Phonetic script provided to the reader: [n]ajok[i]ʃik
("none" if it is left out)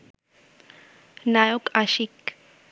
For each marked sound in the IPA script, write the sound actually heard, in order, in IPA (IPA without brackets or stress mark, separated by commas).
n, a